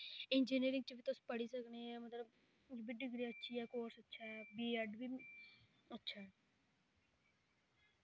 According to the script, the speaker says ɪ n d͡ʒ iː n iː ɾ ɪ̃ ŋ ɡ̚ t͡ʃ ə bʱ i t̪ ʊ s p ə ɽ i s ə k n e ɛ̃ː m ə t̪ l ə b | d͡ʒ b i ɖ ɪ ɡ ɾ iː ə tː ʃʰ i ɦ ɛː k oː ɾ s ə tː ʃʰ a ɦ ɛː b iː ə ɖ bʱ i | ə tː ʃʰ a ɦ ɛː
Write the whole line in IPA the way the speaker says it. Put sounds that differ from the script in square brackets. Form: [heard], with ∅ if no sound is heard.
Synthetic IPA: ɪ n d͡ʒ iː n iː ɾ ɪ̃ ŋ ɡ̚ t͡ʃ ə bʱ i t̪ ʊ s p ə ɽ i s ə k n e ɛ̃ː m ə t̪ l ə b | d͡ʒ b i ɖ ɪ ɡ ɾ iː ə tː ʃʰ i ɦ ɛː k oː ɾ s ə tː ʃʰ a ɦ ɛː b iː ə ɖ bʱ i | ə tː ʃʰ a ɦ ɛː